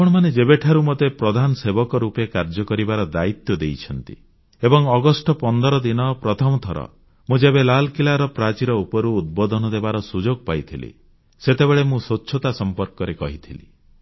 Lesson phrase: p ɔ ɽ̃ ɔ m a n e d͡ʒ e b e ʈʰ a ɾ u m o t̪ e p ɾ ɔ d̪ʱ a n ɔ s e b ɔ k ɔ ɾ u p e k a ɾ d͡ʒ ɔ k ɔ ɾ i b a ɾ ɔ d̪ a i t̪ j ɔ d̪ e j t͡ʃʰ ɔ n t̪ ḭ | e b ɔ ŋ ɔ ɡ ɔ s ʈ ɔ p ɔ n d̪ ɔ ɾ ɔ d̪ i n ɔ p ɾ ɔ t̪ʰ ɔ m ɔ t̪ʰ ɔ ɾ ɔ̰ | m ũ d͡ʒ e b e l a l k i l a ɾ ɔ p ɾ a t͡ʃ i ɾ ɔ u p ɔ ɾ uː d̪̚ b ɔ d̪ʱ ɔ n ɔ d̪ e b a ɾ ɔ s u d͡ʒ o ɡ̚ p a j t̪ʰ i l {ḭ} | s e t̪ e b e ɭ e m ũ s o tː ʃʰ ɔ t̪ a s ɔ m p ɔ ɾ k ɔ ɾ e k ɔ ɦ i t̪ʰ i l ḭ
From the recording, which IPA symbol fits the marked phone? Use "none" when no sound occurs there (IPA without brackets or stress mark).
ḭ